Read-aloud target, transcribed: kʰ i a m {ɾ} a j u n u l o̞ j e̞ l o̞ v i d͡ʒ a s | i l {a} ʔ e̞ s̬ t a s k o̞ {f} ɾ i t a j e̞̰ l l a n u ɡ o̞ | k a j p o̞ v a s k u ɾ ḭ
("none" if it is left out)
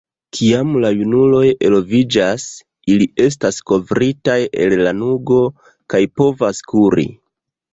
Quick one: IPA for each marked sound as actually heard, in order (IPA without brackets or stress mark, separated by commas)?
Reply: l, i, v